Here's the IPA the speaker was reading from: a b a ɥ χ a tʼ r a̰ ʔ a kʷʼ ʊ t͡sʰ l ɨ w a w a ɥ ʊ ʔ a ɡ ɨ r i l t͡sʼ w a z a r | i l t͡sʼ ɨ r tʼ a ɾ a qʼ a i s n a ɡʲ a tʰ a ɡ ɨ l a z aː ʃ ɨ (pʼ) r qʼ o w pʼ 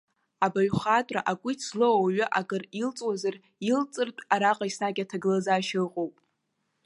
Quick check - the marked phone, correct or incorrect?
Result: incorrect: none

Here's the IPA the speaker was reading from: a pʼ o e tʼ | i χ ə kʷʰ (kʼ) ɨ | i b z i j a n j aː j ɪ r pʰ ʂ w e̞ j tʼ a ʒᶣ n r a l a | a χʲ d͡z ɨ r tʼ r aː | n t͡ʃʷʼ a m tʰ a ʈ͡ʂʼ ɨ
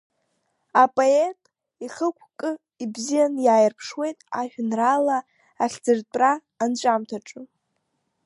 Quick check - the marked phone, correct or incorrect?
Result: correct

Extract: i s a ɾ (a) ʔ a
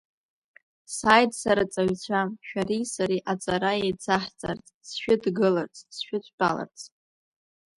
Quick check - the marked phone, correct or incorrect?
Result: incorrect: i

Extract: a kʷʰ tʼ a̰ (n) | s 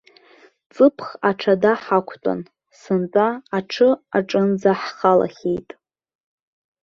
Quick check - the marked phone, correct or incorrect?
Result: correct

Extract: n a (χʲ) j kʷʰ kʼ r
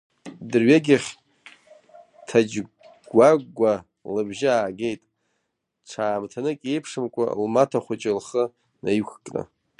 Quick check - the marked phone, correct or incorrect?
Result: incorrect: none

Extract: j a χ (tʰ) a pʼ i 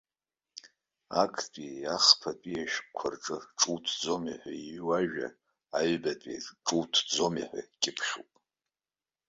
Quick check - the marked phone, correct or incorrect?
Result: incorrect: pʰ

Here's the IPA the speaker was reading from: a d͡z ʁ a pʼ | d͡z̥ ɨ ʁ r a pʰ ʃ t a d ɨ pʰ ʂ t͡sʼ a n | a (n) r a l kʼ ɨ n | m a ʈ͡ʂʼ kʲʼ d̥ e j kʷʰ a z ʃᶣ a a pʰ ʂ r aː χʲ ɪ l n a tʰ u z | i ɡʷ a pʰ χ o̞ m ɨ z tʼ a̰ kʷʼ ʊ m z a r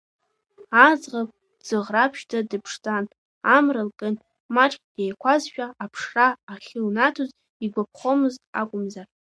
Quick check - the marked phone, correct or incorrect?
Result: incorrect: m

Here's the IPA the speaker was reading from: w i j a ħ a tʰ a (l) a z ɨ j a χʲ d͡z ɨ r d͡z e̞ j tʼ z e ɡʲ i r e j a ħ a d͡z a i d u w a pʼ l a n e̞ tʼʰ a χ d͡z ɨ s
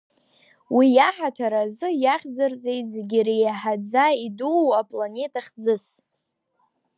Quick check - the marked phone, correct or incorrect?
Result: incorrect: ɾ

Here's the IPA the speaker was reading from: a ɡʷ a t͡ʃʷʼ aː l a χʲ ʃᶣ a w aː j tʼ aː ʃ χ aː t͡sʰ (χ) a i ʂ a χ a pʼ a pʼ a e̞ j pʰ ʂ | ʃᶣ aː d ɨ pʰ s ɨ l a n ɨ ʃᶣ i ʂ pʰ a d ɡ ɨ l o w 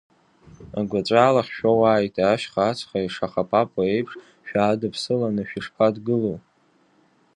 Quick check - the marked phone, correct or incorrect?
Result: correct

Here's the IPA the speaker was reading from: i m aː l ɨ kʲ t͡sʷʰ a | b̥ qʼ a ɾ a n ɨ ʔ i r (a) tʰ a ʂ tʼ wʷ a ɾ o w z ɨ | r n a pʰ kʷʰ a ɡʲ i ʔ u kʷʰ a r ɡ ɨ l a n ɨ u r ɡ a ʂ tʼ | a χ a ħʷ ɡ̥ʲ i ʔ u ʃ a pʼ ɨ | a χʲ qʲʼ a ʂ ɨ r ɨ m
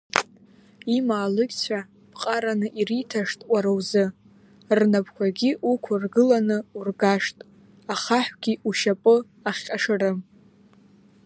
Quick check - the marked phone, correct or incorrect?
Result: incorrect: i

